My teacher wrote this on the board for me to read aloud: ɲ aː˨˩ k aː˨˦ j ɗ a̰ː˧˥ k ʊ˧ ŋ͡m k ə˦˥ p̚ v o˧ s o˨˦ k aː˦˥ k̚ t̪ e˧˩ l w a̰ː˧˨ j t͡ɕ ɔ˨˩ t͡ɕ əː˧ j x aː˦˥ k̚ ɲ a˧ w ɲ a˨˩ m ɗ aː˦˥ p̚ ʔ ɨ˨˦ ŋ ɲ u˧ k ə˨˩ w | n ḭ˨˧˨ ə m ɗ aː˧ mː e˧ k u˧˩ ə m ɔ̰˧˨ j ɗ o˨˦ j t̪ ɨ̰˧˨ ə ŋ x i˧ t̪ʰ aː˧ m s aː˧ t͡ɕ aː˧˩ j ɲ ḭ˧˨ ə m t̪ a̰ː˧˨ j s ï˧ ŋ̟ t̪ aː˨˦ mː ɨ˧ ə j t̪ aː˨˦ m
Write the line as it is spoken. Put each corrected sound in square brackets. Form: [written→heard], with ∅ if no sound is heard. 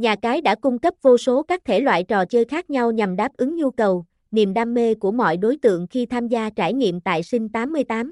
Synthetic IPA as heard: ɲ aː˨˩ k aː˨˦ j ɗ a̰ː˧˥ k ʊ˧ ŋ͡m k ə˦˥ p̚ v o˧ s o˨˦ k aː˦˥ k̚ [t̪→t̪ʰ] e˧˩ l w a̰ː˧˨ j t͡ɕ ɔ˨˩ t͡ɕ əː˧ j x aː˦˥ k̚ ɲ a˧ w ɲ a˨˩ m ɗ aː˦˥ p̚ ʔ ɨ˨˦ ŋ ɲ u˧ k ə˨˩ w | n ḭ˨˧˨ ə m ɗ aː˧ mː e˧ k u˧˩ ə m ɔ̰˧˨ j ɗ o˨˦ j t̪ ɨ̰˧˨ ə ŋ x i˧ t̪ʰ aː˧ m [s→z] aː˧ t͡ɕ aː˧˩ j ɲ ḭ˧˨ ə m t̪ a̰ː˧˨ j s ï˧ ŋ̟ t̪ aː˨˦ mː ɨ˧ ə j t̪ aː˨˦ m